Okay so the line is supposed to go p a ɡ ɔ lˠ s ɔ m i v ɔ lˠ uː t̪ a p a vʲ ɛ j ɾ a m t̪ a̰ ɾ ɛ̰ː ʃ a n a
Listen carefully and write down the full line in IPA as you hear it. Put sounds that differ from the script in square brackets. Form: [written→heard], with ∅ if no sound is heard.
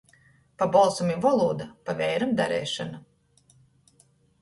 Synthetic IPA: p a [ɡ→b] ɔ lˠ s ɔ m i v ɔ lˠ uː [t̪→d̪] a p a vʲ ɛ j ɾ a m [t̪→d̪] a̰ ɾ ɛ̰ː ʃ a n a